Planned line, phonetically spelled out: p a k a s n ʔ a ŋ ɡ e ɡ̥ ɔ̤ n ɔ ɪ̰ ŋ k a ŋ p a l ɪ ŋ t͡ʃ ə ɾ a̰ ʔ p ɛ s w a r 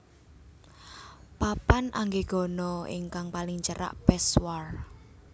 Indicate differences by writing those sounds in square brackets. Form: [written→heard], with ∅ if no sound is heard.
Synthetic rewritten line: p a [k→p] a [s→∅] n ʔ a ŋ ɡ e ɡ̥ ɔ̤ n ɔ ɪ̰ ŋ k a ŋ p a l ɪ ŋ t͡ʃ ə ɾ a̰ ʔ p ɛ s w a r